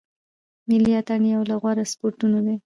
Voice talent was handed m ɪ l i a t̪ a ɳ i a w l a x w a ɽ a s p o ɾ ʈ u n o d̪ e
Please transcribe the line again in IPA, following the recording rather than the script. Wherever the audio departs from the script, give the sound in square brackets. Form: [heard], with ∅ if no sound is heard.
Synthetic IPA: m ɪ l i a t̪ a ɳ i a w l a [ɣ] w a [ɾ] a s p o ɾ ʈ u n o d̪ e